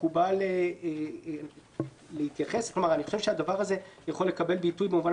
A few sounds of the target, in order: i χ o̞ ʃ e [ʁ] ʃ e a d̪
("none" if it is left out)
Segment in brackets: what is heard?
v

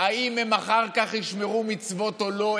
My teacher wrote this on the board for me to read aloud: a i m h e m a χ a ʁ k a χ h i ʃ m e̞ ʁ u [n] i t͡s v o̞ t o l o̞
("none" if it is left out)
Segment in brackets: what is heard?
m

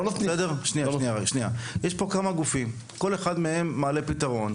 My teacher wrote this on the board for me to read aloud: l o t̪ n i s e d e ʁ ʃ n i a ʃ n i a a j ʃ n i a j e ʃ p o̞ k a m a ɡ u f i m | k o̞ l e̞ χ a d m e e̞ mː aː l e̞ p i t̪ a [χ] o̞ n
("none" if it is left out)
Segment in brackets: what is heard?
ʁ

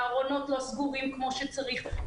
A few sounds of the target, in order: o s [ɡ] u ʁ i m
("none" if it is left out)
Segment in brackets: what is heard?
ɡ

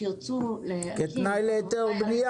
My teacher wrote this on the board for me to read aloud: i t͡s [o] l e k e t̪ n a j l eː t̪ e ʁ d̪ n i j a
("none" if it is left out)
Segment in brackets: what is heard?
u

